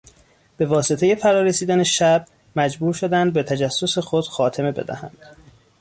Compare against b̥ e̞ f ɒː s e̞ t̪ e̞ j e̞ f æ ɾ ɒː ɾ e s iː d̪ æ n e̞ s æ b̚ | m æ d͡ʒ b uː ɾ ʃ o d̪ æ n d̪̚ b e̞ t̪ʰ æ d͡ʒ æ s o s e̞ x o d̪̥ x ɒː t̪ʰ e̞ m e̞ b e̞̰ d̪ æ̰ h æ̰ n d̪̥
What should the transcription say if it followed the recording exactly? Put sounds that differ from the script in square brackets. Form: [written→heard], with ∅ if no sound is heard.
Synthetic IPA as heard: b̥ e̞ [f→v] ɒː s e̞ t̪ e̞ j e̞ f æ ɾ ɒː ɾ e s iː d̪ æ n e̞ [s→ʃ] æ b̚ | m æ d͡ʒ b uː ɾ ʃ o d̪ æ n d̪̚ b e̞ t̪ʰ æ d͡ʒ æ [s→sː] o s e̞ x o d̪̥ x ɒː t̪ʰ e̞ m e̞ b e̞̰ d̪ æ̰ h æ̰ n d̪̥